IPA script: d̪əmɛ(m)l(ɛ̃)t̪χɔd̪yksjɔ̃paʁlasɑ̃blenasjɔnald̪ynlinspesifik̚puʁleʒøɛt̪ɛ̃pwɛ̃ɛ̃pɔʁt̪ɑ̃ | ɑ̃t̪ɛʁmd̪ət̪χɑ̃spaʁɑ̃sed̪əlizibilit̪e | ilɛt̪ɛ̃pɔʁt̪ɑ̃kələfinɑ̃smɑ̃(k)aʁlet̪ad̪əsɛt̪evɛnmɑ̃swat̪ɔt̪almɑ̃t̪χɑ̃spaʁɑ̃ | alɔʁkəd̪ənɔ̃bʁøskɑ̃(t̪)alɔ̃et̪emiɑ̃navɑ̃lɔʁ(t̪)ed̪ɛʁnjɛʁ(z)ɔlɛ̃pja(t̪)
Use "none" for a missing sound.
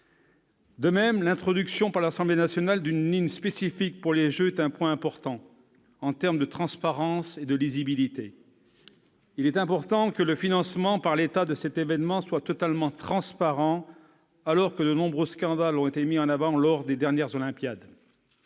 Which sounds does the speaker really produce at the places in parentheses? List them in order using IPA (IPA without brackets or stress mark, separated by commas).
m, ɛ̃, p, d̪, d̪, z, d̪